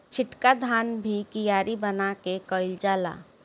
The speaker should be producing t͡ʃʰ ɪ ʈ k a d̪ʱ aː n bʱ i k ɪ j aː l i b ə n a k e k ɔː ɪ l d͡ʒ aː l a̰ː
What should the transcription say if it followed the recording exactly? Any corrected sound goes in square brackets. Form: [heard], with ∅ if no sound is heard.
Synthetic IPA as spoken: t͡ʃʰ ɪ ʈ k a d̪ʱ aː n bʱ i k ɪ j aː [ɾ] i b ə n a k e k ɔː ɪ l d͡ʒ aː l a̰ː